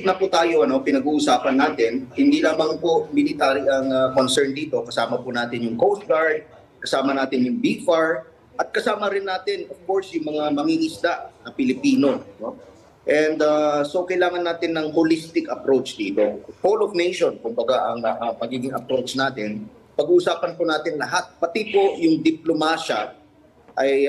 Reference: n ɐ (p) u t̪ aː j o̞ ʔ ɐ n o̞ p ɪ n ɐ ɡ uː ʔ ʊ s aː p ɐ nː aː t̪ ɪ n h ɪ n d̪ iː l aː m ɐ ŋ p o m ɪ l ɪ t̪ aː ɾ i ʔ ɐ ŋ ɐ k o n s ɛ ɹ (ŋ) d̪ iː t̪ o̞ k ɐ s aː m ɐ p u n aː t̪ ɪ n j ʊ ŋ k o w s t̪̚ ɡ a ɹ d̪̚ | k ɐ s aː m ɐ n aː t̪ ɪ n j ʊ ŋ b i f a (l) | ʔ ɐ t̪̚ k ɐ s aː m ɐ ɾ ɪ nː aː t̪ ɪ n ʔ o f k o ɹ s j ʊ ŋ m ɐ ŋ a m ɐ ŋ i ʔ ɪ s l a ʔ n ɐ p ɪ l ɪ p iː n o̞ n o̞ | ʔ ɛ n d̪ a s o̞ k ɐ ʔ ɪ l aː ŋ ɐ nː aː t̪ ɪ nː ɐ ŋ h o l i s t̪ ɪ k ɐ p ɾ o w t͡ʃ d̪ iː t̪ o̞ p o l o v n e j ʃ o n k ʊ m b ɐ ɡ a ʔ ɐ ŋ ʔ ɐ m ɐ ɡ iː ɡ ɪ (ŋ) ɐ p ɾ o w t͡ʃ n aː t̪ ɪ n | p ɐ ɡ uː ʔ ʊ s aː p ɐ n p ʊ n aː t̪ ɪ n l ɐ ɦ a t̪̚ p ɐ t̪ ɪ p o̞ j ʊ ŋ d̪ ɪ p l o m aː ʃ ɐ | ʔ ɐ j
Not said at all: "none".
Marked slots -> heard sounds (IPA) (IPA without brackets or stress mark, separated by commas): p, n, ɹ, ŋ